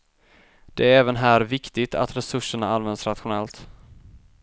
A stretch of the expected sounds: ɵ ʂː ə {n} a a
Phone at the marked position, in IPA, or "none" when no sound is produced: ɳ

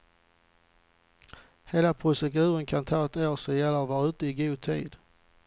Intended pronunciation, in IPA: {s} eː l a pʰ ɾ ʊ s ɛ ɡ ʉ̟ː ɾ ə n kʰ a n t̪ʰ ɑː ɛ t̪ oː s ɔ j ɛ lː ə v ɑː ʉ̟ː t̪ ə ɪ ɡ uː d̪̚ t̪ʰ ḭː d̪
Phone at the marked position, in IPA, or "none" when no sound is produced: h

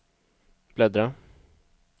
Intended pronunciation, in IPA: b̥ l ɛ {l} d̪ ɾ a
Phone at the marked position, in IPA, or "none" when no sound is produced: none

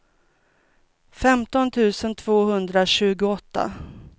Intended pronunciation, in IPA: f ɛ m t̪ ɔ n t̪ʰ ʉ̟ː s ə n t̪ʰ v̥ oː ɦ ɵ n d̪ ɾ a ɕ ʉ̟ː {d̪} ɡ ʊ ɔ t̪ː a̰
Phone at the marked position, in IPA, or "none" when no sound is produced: none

